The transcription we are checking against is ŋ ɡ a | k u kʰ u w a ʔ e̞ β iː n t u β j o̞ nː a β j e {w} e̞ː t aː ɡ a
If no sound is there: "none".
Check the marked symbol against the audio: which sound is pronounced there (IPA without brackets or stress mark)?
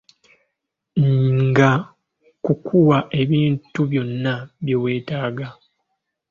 w